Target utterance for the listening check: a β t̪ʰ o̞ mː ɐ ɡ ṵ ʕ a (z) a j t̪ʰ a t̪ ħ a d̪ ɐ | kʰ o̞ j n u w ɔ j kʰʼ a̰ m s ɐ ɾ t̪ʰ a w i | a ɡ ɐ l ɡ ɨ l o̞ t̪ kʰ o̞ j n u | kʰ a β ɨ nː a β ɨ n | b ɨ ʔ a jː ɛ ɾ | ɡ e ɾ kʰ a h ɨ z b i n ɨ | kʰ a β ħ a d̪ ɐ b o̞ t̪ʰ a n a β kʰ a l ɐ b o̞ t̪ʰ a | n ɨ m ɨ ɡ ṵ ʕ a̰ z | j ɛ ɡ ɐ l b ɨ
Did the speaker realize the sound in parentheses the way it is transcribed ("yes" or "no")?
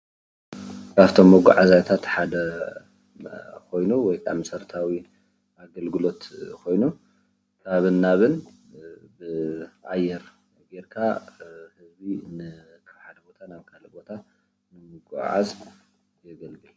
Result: yes